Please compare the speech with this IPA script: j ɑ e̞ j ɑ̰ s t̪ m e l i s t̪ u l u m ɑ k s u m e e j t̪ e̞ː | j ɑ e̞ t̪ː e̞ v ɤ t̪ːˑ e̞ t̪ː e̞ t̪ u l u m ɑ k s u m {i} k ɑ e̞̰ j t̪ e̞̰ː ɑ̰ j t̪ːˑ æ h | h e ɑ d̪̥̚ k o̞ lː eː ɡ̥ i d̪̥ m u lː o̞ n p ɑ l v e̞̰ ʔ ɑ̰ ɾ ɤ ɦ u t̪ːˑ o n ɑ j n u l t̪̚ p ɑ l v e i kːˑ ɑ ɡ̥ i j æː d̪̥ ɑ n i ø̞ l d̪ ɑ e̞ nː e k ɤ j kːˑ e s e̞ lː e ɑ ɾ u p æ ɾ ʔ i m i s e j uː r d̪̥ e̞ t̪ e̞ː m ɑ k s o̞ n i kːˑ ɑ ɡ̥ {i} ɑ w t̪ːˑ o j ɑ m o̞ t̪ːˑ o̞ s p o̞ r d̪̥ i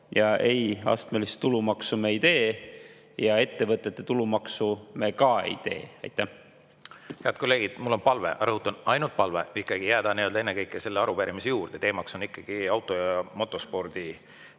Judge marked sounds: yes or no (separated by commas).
no, yes